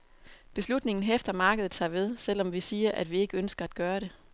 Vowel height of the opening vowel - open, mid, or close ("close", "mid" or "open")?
mid